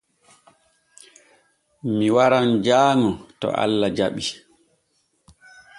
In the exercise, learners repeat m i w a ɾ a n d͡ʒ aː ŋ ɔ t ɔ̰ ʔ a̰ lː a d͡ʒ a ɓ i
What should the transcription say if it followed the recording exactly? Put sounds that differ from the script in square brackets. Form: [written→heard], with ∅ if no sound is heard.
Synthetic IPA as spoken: m i w a ɾ a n d͡ʒ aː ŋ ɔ t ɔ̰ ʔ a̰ lː a d͡ʒ a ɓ i

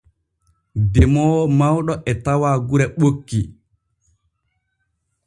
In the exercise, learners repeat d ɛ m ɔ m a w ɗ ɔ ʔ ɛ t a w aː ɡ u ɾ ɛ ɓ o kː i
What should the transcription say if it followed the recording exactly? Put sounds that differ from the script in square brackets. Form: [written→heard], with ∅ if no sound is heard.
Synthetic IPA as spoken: d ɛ m ɔ m a w ɗ ɔ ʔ ɛ t a w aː ɡ u ɾ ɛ ɓ o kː i

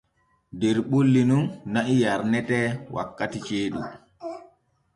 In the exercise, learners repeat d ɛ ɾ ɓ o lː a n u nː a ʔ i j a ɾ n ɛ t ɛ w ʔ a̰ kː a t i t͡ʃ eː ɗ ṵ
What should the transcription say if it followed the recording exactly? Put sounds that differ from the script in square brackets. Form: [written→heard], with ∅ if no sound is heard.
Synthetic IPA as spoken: d ɛ ɾ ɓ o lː [a→i] n u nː a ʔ i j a ɾ n ɛ t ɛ w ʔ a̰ kː a t i t͡ʃ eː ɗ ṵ

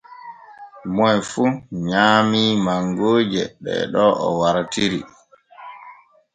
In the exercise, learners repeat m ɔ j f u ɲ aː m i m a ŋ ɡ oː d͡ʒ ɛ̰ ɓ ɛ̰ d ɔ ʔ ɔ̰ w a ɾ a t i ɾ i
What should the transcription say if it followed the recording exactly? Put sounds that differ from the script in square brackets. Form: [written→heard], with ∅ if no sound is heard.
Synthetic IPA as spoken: m ɔ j f u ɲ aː m i m a ŋ ɡ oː d͡ʒ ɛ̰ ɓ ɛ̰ [d→ɗ] ɔ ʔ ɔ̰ w a ɾ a t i ɾ i

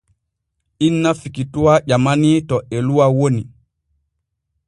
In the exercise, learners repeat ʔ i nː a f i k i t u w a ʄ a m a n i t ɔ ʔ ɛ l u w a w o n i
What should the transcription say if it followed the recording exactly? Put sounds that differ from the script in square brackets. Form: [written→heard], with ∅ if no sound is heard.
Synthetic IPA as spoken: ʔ i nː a f i k i t u w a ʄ a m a n i t ɔ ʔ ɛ l u w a w o n i

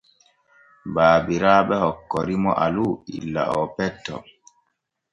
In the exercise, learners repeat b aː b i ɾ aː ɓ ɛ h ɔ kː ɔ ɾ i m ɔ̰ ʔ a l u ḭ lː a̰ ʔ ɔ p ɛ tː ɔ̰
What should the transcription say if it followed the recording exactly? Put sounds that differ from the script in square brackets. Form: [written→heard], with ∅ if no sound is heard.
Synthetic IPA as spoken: b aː b i ɾ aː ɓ ɛ h ɔ kː ɔ ɾ i m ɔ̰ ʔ a l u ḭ lː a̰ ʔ ɔ p ɛ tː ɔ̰

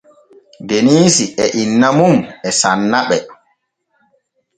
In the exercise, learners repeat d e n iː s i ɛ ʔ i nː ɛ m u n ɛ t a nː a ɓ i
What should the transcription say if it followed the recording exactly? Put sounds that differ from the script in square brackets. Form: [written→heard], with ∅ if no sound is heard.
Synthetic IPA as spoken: d e n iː s i ɛ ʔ i nː [ɛ→a] m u [n→m] ɛ [t→s] a nː a ɓ [i→ɛ]

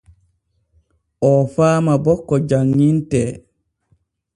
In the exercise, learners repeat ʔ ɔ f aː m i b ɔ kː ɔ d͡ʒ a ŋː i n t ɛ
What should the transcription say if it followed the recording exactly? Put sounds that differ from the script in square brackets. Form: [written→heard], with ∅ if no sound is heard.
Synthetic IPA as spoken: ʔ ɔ f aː m [i→a] b ɔ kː ɔ d͡ʒ a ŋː i n t ɛ

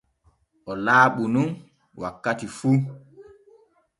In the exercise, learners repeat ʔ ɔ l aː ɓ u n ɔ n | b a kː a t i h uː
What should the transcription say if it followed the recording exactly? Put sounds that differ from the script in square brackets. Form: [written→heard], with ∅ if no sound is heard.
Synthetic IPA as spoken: ʔ ɔ l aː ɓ u n [ɔ→u] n | [b→w] a kː a t i [h→f] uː

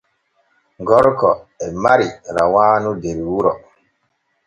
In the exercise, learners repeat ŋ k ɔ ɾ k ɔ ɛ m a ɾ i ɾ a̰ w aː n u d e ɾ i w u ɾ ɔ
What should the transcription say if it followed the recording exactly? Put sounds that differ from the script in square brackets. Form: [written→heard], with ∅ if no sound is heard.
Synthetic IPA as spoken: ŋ [k→ɡ] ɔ ɾ k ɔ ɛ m a ɾ i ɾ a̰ w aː n u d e ɾ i w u ɾ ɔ

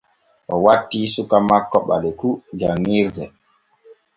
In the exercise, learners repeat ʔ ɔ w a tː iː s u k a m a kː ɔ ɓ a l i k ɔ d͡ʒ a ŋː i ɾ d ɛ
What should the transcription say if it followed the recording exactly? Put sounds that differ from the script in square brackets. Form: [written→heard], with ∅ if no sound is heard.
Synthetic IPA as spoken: ʔ ɔ w a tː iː s u k a m a kː ɔ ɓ a l [i→ɛ] k [ɔ→u] d͡ʒ a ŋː i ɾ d ɛ

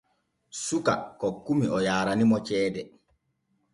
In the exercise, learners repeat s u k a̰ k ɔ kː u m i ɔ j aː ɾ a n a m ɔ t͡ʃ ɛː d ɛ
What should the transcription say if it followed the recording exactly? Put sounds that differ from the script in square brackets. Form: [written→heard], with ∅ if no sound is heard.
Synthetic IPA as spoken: s u k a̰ k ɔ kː u m i ɔ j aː ɾ a n [a→i] m ɔ t͡ʃ ɛː d ɛ

